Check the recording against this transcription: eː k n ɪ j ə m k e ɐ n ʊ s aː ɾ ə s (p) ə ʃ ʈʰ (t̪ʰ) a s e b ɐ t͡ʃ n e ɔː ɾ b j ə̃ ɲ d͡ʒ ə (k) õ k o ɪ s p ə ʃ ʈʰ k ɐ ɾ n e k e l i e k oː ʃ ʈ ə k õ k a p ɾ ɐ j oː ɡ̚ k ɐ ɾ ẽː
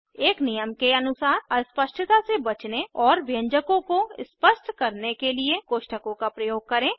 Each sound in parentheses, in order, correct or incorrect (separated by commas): correct, incorrect, correct